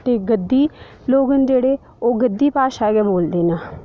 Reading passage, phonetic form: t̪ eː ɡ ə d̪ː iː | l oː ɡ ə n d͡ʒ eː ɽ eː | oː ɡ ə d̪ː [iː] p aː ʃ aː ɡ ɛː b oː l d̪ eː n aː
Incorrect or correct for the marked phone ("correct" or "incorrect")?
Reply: correct